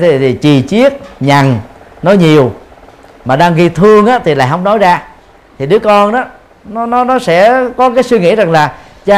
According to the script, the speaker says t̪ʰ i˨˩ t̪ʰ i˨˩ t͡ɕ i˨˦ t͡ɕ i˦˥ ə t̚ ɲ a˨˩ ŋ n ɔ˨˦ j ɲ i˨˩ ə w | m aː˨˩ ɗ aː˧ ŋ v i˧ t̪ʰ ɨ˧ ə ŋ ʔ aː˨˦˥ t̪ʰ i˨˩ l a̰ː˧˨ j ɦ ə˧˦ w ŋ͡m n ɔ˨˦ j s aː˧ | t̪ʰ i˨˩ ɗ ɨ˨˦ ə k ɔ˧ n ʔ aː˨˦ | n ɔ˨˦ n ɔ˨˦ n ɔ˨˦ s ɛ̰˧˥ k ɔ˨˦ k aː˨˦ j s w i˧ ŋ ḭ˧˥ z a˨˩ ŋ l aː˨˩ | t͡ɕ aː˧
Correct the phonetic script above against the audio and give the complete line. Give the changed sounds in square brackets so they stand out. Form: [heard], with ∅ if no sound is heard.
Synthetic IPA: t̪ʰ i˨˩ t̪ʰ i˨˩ t͡ɕ [i˨˩] t͡ɕ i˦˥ ə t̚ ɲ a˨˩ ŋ n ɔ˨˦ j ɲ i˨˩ ə w | m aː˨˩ ɗ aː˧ ŋ [ɣ] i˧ t̪ʰ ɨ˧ ə ŋ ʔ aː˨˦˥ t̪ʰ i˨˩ l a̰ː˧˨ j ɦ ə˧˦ w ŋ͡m n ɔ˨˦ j [z] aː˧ | t̪ʰ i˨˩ ɗ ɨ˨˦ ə k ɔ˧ n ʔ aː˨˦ | n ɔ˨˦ n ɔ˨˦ n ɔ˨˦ s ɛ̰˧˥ k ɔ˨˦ k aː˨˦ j s w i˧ ŋ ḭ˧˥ z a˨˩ ŋ l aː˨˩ | t͡ɕ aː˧